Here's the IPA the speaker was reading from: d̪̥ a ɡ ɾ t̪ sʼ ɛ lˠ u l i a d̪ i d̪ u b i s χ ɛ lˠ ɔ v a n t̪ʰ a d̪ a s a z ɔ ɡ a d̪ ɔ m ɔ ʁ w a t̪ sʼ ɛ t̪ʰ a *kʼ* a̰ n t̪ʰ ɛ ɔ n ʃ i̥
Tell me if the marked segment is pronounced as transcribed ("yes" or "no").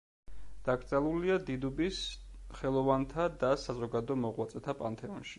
no